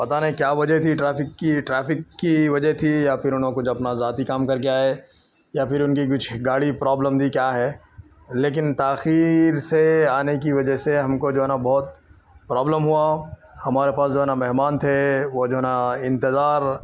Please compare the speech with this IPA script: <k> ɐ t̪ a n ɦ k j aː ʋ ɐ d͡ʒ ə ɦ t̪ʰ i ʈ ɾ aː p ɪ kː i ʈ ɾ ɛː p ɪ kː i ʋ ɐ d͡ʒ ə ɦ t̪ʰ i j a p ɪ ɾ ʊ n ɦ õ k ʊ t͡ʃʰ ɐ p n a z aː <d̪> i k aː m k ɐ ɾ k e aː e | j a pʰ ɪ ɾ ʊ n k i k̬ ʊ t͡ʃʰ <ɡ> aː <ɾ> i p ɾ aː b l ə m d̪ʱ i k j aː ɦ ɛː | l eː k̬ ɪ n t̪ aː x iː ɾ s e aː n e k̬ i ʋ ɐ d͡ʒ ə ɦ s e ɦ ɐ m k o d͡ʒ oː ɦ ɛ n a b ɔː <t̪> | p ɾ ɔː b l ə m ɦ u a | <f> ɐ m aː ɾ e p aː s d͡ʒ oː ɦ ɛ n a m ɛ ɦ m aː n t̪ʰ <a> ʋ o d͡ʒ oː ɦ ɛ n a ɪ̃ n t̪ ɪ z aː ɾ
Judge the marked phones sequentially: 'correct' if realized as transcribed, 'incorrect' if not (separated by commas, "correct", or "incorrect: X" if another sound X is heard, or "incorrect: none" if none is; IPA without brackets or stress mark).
incorrect: p, incorrect: t̪, correct, incorrect: ɽ, correct, incorrect: h, incorrect: e